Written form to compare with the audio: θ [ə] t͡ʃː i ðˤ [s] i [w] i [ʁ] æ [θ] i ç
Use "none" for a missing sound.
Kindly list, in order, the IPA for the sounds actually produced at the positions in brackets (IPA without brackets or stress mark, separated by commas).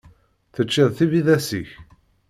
ə, θ, v, ð, s